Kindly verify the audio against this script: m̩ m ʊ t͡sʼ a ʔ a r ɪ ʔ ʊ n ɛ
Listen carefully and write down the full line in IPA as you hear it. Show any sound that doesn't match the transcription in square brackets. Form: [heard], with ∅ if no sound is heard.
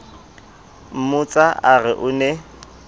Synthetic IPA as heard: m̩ m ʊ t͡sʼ a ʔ a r ɪ ʔ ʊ n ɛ